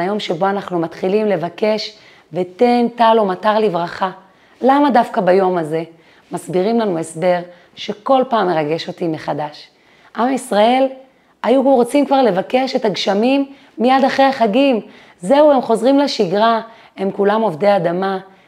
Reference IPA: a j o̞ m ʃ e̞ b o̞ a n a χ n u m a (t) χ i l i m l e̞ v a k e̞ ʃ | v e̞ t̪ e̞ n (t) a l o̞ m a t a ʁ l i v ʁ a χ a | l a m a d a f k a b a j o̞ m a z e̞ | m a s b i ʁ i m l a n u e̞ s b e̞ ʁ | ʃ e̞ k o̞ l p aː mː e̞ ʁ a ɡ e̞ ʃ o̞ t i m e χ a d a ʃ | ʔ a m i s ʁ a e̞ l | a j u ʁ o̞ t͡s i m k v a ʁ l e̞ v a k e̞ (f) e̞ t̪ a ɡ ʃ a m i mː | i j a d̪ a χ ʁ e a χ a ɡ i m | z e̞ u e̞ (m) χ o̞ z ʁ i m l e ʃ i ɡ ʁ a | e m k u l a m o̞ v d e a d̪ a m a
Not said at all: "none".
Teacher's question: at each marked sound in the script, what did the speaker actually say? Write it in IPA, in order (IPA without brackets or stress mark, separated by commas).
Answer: t, t, ʃ, m